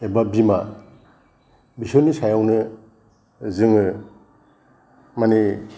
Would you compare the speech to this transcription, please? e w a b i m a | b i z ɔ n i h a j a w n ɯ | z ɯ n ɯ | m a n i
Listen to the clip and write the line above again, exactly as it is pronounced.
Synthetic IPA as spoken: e b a b i m a | b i s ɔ n i s a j a w n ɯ | z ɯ ŋ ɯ | m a n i